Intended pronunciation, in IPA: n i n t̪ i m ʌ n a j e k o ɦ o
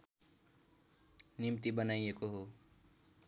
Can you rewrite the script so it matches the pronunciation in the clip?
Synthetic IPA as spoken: n i m t̪ i b ʌ n a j e k o ɦ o